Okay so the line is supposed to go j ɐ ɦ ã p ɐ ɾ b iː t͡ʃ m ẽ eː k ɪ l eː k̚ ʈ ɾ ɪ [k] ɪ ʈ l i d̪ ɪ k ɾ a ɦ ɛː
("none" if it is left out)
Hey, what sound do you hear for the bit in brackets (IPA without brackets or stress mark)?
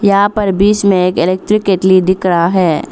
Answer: k